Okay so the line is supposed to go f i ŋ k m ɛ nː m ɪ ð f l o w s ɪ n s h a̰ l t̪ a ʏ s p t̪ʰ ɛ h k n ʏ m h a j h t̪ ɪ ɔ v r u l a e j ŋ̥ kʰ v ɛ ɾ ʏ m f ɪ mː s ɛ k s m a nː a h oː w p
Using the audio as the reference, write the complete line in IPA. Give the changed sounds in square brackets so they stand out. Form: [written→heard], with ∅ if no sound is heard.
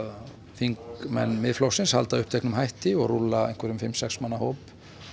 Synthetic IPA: f i ŋ k m ɛ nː m ɪ ð f l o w s ɪ n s h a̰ l t̪ a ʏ [s→h] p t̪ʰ ɛ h k n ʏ m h a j h t̪ ɪ ɔ [v→ɣ] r u l a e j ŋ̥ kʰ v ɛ ɾ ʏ m f ɪ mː s ɛ k s m a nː a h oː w p